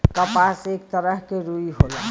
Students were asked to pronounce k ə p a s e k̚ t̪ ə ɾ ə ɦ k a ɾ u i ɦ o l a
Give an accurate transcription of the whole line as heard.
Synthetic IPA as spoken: k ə p a s e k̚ t̪ ə ɾ ə ɦ k e ɾ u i ɦ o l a